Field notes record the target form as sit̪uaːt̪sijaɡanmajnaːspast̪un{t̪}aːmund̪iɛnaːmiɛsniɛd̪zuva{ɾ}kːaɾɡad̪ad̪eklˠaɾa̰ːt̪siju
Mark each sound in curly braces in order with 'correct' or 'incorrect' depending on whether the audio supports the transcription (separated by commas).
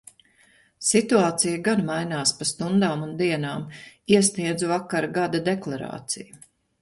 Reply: incorrect, incorrect